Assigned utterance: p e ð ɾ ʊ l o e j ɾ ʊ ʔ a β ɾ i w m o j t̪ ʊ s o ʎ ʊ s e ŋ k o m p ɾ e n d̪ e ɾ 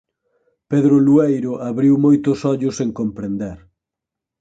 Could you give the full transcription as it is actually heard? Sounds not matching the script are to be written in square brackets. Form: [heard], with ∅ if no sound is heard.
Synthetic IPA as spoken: p e ð ɾ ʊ l [u] e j ɾ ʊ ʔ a β ɾ i w m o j t̪ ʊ s [ɔ] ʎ ʊ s e ŋ k o m p ɾ e n d̪ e ɾ